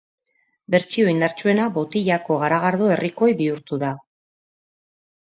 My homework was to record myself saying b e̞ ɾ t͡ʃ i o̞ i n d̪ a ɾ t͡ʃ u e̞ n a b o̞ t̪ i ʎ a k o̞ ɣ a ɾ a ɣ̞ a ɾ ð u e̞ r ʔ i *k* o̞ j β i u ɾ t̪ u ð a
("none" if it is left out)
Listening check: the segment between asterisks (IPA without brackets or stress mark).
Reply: k